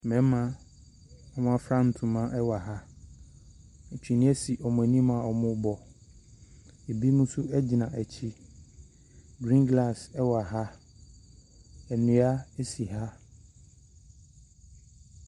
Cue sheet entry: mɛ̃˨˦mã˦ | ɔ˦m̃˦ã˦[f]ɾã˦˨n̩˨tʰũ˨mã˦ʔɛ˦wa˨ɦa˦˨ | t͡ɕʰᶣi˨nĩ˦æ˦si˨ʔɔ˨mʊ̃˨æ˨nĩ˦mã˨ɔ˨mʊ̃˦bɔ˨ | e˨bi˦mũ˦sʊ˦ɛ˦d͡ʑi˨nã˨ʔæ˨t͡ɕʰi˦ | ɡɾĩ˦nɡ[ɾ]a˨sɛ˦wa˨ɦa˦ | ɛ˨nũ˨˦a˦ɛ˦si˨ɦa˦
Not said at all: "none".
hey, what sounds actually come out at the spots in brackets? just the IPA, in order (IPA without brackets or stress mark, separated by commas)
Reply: f, l